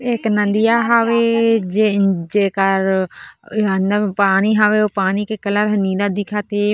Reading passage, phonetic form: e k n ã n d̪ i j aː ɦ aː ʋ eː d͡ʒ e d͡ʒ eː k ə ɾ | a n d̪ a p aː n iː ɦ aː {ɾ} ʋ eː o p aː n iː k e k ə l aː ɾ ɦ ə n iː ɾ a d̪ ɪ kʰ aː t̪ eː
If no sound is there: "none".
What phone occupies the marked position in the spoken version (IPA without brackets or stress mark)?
none